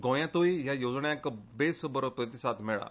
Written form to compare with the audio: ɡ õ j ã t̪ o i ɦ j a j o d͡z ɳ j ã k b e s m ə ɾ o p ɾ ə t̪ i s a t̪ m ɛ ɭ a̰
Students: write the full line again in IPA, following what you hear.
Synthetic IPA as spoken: ɡ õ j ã t̪ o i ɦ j a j o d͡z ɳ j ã k b e s b ə ɾ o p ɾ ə t̪ i s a t̪ m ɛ ɭ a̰

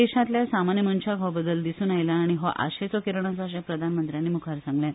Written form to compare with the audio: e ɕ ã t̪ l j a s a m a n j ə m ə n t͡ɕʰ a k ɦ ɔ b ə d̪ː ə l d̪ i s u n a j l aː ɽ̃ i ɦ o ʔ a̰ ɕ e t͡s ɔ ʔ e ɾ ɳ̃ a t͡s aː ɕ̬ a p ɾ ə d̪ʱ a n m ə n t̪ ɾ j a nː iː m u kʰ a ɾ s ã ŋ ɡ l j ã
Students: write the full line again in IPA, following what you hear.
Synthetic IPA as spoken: e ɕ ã t̪ l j a s a m a n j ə m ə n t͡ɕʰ a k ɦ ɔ b ə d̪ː ə l d̪ i s uː n a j l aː ɽ̃ i ɦ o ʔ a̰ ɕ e t͡s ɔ k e ɾ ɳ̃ a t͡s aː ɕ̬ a p ɾ ə d̪ʱ a n m ə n t̪ ɾ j a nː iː m u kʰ a ɾ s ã ŋ ɡ l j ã

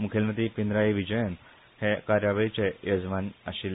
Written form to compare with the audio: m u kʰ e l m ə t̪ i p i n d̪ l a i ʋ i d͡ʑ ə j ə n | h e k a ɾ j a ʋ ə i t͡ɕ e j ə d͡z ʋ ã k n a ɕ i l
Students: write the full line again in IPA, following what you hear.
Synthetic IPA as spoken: m u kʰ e l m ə t̪ i p i n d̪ ɾ a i ʋ i d͡ʑ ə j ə n | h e k a ɾ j a ʋ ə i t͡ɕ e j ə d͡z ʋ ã n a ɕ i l

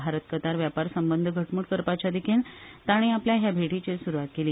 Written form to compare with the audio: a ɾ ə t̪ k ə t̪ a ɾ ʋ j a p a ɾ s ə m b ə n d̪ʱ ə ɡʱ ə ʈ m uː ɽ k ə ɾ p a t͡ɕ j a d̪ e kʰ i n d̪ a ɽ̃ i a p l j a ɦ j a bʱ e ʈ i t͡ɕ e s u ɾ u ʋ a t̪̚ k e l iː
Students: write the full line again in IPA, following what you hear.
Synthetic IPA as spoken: a ɾ ə t̪ k ə t̪ a ɾ ʋ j a p a ɾ s ə m b ə n d̪ʱ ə ɡʱ ə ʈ m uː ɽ k ə ɾ p a t͡ɕ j a d̪ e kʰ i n t̪ a ɽ̃ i a p l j a ɦ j a bʱ e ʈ i t͡ɕ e s u ɾ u ʋ a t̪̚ k e l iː

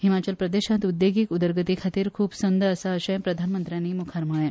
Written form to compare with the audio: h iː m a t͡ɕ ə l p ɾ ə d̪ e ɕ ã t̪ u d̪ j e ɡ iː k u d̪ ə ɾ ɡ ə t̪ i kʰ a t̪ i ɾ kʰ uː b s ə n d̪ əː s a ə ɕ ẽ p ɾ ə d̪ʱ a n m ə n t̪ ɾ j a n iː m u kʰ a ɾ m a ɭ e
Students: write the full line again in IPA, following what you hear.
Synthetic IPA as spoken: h i m a t͡ɕ ə l p ɾ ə d̪ e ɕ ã t̪ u d̪ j e ɡ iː k u d̪ ə ɾ ɡ ə t̪ i kʰ a t̪ iː ɾ kʰ uː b s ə n d̪ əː s a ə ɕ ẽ p ɾ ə d̪ʱ a n m ə n t̪ ɾ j a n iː m u kʰ a ɾ m a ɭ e

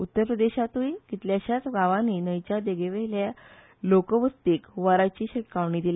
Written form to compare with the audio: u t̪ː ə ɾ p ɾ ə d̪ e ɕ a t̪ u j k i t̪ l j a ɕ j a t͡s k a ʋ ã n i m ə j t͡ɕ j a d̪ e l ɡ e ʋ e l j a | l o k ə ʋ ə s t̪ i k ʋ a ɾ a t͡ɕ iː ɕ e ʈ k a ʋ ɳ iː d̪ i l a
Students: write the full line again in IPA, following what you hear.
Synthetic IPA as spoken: u t̪ː ə ɾ p ɾ ə d̪ e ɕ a t̪ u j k i t̪ l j a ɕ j a t͡s ɡ a ʋ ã n i n ə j t͡ɕ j a d̪ e ɡ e ʋ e l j a | l o k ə ʋ ə s t̪ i k ʋ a ɾ a t͡ɕ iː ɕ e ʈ k a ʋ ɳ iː d̪ i l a

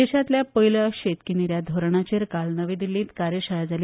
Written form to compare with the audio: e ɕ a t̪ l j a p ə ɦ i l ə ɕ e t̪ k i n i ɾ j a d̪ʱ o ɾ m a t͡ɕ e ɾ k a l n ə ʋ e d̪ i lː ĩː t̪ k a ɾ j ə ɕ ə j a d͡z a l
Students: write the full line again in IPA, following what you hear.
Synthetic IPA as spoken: e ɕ a t̪ l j a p ə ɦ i l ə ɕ e t̪ k i n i ɾ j a d̪ʱ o ɾ ɳ a t͡ɕ e ɾ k a l n ə ʋ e d̪ i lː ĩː t̪ k a ɾ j ə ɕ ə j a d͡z a l

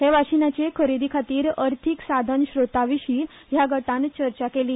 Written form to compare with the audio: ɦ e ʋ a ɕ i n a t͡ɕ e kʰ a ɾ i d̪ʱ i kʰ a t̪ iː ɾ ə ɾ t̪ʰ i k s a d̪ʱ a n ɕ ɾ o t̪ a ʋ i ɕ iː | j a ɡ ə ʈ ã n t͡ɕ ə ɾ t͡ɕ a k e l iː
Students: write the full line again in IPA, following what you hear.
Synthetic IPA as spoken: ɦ e ʋ a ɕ i n a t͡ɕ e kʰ ə ɾ i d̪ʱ i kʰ a t̪ iː ɾ ə ɾ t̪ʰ i k s a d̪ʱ ə n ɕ ɾ o t̪ a ʋ i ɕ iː | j a ɡ ə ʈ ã n t͡ɕ ə ɾ t͡ɕ a k e l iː

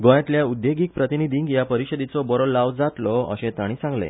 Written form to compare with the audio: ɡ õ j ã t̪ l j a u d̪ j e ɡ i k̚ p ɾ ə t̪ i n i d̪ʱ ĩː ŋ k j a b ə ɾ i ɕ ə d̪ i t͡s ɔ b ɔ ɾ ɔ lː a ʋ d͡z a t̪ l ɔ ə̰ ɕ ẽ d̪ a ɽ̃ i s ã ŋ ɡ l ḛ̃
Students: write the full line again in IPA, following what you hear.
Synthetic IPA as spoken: ɡ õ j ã t̪ l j a u d̪ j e ɡ i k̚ p ɾ ə t̪ i n i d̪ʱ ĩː ŋ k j a p ə ɾ i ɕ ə d̪ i t͡s ɔ b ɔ ɾ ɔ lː a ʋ d͡z a t̪ l ɔ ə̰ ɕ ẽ t̪ a ɽ̃ i s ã ŋ ɡ l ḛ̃

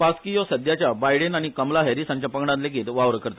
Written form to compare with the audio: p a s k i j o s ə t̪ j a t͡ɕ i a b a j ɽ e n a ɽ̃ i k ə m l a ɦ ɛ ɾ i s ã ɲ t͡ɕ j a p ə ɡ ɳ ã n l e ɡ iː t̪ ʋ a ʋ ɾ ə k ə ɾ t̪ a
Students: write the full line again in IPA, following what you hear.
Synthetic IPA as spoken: p a s k i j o s ə d̪ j a t͡ɕ j a b a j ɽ e n a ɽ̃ i k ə m l a ɦ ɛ ɾ i s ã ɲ t͡ɕ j a p ə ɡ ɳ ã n l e ɡ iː t̪ ʋ a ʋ ɾ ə k ə ɾ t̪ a

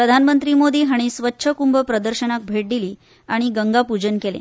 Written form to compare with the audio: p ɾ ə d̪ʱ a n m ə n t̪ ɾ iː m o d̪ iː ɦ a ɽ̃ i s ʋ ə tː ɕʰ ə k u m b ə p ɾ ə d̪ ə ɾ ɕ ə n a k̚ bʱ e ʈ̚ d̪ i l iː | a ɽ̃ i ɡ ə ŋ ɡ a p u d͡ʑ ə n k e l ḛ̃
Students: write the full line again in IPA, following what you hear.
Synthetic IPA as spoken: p ɾ ə d̪ʱ a n m ə n t̪ ɾ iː m o d̪ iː ɦ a ɽ̃ i s ʋ ə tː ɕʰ ə k u m b ə p ɾ ə d̪ ə ɾ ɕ ə n a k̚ bʱ e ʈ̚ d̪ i l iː | a ɽ̃ i ɡ ə ŋ ɡ a p u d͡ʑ ə n k e l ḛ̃

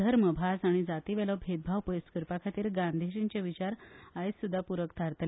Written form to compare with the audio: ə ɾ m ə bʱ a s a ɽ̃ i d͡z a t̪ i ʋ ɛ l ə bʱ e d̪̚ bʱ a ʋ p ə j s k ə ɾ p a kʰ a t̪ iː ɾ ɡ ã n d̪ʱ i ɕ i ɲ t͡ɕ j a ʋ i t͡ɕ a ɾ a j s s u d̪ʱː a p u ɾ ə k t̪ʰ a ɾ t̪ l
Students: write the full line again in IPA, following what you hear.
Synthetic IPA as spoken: ə ɾ m ə bʱ a s a ɽ̃ i d͡z a t̪ i ʋ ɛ l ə bʱ e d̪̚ bʱ a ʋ p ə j s k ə ɾ p a kʰ a t̪ iː ɾ ɡ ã n d̪ʱ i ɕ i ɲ t͡ɕ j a ʋ i t͡ɕ a ɾ a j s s u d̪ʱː a p u ɾ ə k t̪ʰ a ɾ t̪ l

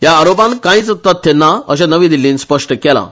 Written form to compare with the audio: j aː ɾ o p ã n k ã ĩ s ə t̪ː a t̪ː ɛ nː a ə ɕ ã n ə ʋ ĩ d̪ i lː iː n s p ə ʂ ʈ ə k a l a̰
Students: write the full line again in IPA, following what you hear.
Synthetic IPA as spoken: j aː ɾ o p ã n k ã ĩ t͡s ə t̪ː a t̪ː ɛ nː a ə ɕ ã n ə ʋ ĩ d̪ i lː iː n s p ə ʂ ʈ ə k ɛ l a̰

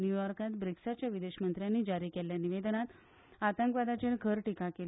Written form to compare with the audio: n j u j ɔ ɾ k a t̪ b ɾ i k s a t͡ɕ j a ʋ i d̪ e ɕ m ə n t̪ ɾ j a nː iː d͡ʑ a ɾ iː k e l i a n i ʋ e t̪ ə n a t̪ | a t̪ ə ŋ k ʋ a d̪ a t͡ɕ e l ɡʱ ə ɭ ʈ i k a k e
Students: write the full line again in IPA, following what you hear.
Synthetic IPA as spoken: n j u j ɔ ɾ k a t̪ b ɾ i k s a t͡ɕ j a ʋ i d̪ e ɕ m ə n t̪ ɾ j a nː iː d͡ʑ a ɾ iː k e l j a n i ʋ e d̪ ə n a t̪ | a t̪ ə ŋ k ʋ a d̪ a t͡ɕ e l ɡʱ ə ɾ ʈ i k a k e

